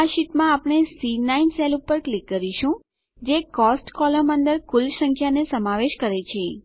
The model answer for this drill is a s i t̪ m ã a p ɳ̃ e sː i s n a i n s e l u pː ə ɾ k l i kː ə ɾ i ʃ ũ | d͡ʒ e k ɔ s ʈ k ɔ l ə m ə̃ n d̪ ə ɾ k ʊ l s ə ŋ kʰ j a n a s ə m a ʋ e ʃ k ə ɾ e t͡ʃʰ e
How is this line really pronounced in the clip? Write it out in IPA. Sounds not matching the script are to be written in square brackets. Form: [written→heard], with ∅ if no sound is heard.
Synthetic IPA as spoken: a [s→ʃ] i t̪ m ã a p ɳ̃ e [sː→s] i [s→∅] n a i n s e l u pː ə ɾ k l i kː ə ɾ i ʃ ũ | d͡ʒ e k ɔ s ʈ k ɔ l ə m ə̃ n d̪ ə ɾ k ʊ l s ə ŋ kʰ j a n [a→e] s ə m a ʋ e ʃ k ə ɾ e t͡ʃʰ e